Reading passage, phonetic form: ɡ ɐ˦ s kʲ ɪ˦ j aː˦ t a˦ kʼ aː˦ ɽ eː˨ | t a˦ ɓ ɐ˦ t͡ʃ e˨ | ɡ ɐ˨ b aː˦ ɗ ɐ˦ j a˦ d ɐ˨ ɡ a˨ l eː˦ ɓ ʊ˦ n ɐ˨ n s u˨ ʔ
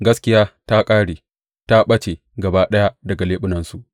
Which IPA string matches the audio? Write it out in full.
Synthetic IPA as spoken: ɡ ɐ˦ s kʲ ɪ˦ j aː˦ t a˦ kʼ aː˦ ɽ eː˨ | t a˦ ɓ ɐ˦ t͡ʃ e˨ | ɡ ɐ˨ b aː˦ ɗ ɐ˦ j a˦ d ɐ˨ ɡ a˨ l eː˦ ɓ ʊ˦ n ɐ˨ n s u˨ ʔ